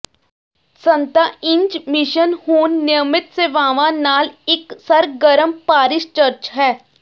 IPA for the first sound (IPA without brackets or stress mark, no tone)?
s